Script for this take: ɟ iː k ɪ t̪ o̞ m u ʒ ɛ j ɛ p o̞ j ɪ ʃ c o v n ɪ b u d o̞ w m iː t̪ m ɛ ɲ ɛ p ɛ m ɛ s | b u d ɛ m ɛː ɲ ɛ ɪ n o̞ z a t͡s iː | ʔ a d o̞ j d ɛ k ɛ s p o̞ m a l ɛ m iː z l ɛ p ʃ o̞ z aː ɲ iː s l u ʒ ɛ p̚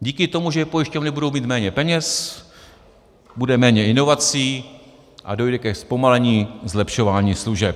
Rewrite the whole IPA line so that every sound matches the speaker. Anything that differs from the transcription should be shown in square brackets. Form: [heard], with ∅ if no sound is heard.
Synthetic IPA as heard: ɟ iː k ɪ t̪ o̞ m u ʒ ɛ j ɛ p o̞ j ɪ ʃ c o v n ɪ b u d o̞ w m iː t̪ m [ɛː] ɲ ɛ p ɛ [ɲ] ɛ s | b u d ɛ m ɛː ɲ ɛ ɪ n o̞ [v] a t͡s iː | ʔ a d o̞ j d ɛ k ɛ s p o̞ m a l ɛ [ɲ] iː z l ɛ p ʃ o̞ [v] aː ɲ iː s l u ʒ ɛ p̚